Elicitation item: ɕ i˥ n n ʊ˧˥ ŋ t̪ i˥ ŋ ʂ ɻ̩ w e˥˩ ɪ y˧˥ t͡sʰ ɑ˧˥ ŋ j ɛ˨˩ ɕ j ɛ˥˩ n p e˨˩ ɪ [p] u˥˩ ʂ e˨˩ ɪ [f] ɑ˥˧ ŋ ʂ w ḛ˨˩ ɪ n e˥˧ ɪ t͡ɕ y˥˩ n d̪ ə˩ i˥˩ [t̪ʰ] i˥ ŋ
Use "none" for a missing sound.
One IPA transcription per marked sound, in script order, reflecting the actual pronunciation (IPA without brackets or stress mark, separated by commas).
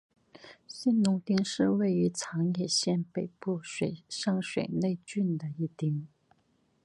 p, ʂ, t̪